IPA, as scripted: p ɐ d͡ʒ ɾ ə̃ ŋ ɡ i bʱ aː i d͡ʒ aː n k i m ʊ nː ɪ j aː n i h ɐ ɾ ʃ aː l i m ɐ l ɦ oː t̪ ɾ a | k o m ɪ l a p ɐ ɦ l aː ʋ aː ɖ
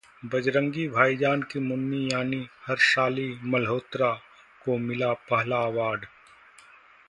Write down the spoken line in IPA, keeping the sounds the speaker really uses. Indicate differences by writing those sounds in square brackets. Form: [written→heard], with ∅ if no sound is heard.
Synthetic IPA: [p→b] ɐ d͡ʒ ɾ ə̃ ŋ ɡ i bʱ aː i d͡ʒ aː n k i m ʊ nː [ɪ→i] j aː n i h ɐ ɾ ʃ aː l i m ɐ l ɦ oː t̪ ɾ a | k o m ɪ l a p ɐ ɦ l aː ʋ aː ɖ